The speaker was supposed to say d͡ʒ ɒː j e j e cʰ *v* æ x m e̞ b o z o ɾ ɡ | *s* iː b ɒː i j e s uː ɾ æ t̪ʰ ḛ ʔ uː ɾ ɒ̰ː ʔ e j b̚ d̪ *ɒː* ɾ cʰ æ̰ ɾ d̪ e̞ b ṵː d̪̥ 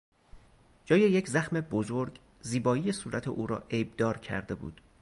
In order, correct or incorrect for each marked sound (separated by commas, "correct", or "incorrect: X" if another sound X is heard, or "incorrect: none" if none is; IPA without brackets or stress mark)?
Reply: incorrect: z, incorrect: z, correct